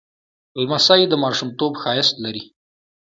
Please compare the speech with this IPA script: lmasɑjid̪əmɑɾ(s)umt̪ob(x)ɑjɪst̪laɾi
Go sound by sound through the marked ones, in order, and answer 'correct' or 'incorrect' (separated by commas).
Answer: incorrect, correct